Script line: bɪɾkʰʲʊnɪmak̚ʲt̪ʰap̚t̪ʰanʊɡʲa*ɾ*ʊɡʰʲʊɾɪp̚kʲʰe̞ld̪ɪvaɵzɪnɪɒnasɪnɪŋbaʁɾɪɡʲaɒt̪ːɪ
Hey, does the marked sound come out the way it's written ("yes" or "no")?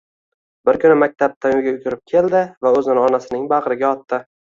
no